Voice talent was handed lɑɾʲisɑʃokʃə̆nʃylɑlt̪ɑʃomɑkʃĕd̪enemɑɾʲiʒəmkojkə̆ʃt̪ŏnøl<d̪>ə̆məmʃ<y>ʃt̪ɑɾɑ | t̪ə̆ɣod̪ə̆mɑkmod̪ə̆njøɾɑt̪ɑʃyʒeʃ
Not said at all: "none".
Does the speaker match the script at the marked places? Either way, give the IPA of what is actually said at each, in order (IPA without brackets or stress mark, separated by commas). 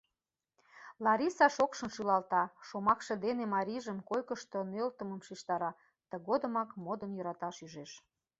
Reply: t̪, i